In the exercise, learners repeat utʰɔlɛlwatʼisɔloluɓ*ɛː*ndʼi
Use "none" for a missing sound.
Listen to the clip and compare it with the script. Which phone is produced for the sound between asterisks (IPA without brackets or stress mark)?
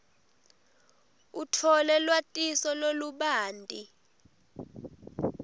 aː